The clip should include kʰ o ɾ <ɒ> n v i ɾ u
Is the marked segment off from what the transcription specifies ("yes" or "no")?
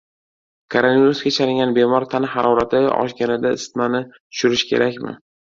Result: yes